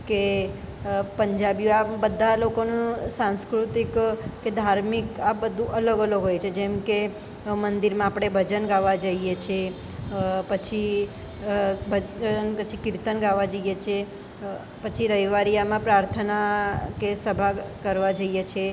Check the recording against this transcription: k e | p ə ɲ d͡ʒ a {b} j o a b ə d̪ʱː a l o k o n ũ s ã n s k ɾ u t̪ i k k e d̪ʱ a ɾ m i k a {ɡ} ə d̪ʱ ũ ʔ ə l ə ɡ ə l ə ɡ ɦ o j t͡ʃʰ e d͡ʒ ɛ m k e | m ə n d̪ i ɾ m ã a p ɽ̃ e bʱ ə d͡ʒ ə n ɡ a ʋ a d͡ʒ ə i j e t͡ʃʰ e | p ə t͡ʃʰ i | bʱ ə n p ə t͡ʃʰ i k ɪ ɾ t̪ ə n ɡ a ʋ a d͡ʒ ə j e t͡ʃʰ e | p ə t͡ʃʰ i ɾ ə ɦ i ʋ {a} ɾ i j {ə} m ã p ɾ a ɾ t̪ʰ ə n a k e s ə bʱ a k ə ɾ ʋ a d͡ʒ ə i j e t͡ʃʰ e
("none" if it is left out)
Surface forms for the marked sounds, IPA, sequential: b, b, a, a

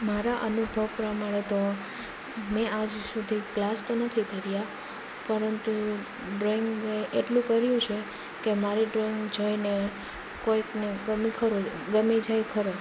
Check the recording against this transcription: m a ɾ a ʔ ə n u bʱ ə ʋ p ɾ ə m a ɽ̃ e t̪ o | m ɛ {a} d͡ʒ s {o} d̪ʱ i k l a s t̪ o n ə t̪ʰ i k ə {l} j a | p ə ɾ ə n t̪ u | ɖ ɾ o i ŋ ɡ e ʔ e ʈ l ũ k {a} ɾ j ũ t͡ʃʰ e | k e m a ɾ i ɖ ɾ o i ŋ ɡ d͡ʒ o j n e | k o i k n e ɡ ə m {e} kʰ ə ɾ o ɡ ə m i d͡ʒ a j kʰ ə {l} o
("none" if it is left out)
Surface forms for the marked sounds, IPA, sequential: a, u, ɾ, ə, i, ɾ

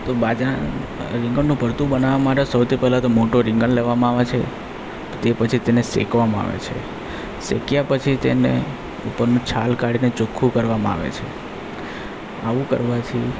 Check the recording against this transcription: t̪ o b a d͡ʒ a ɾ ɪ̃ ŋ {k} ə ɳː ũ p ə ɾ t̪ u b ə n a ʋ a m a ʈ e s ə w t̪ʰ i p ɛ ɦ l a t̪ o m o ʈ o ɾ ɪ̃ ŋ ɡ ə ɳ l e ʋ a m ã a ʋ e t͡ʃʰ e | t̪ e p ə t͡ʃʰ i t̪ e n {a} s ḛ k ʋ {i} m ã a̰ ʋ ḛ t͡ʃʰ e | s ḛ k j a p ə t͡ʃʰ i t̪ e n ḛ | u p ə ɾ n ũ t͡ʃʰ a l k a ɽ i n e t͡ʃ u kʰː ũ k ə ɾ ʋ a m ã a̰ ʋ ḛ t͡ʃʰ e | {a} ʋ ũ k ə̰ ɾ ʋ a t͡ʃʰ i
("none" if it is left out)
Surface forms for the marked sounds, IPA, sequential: ɡ, e, a, a

